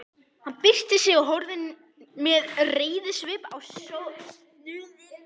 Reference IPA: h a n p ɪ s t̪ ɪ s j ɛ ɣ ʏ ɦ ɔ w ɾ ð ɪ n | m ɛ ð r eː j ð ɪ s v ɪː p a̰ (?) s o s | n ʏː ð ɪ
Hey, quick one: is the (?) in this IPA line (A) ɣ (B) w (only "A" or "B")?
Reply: B